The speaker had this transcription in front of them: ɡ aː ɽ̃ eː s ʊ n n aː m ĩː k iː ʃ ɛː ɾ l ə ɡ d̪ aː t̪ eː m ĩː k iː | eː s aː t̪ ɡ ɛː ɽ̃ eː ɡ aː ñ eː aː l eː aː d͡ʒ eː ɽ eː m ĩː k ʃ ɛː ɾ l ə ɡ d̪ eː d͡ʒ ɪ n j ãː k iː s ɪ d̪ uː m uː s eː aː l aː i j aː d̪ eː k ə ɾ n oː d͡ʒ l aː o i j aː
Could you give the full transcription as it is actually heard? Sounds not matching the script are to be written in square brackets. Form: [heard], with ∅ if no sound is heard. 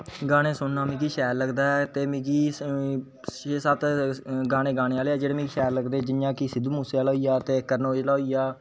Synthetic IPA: ɡ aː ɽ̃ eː s ʊ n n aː m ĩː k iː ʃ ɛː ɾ l ə ɡ d̪ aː t̪ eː m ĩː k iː | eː s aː t̪ ɡ [aː] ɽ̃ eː ɡ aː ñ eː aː l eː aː d͡ʒ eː ɽ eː m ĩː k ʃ ɛː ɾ l ə ɡ d̪ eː d͡ʒ ɪ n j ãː k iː s ɪ d̪ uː m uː s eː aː l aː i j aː [t̪] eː k ə ɾ n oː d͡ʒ l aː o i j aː